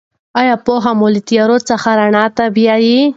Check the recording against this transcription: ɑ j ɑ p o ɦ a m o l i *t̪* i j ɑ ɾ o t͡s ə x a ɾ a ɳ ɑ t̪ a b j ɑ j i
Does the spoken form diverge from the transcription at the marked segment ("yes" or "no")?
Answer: no